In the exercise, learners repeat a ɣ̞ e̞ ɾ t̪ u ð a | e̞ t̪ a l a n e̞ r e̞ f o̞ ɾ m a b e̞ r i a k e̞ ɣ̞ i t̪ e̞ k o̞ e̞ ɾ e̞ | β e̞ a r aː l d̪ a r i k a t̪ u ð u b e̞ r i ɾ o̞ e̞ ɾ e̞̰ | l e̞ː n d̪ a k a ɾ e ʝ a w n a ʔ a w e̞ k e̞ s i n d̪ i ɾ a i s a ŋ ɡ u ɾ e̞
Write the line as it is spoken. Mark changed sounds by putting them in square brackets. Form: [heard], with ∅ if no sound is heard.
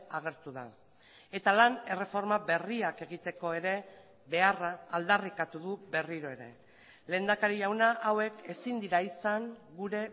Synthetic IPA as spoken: a ɣ̞ e̞ ɾ t̪ u ð a | e̞ t̪ a l a n e̞ r e̞ f o̞ ɾ m a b e̞ r i a k e̞ ɣ̞ i t̪ e̞ k o̞ e̞ ɾ e̞ | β e̞ a r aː l d̪ a r i k a t̪ u ð u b e̞ r i ɾ o̞ e̞ ɾ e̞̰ | l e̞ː n d̪ a k a ɾ [i] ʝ a w n a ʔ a w e̞ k e̞ s i n d̪ i ɾ a i s a ŋ ɡ u ɾ e̞